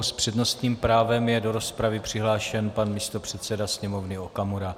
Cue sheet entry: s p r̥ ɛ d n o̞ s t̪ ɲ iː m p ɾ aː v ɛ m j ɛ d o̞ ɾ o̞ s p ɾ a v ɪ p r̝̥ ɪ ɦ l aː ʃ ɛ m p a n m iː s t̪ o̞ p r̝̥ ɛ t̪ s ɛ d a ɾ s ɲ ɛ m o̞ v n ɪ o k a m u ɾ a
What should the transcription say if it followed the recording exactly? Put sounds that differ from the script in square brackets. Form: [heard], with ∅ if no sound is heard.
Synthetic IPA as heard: s p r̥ ɛ d n o̞ s t̪ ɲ iː m p ɾ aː v ɛ m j ɛ d o̞ ɾ o̞ s p ɾ a v ɪ p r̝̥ ɪ ɦ l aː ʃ ɛ [n] p a n m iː s t̪ o̞ p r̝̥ ɛ t̪ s ɛ d a [∅] s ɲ ɛ m o̞ v n ɪ o k a m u ɾ a